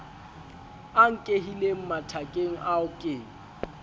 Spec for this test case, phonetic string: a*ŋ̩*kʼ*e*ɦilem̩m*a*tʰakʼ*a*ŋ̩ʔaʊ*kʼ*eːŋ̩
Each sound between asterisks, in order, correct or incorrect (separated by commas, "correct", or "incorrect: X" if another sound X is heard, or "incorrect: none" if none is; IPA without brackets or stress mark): correct, correct, correct, incorrect: e, correct